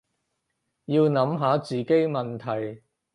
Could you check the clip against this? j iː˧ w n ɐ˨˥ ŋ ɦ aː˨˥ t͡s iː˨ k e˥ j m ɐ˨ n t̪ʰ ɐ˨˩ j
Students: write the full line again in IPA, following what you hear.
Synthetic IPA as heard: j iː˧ w n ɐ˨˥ m ɦ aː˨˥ t͡s iː˨ k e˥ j m ɐ˨ n t̪ʰ ɐ˨˩ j